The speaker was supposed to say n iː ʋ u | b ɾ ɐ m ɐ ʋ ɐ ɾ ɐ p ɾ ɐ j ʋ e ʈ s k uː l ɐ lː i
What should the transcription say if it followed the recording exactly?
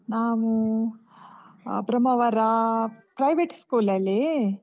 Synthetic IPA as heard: n aː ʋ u | b ɾ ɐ m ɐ ʋ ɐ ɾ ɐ p ɾ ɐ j ʋ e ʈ s k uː l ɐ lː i